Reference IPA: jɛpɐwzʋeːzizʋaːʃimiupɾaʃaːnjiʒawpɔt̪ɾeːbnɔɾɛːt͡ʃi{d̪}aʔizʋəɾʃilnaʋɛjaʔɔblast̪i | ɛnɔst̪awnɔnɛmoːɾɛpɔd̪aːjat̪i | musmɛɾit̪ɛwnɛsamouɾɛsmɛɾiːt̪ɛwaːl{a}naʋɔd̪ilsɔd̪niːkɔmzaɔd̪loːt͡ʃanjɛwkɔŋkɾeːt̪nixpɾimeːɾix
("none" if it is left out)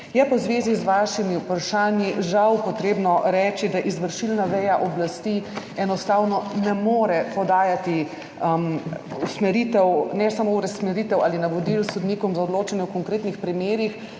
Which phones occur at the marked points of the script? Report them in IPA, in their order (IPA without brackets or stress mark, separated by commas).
d̪, i